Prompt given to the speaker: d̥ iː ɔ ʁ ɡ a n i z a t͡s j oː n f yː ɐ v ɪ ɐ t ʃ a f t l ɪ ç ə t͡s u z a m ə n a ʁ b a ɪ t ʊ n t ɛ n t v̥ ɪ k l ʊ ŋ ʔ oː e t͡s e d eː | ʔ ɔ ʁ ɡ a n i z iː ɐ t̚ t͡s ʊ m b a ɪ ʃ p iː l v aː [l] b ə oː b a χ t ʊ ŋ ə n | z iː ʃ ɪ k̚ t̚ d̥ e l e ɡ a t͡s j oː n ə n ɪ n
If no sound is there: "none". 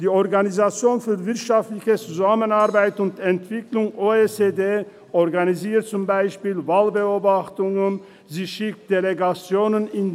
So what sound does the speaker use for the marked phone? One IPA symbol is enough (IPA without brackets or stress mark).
l